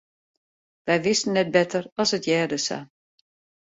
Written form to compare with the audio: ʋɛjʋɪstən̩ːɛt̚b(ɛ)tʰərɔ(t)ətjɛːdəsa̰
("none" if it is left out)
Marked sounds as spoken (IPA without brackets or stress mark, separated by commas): ɛ, s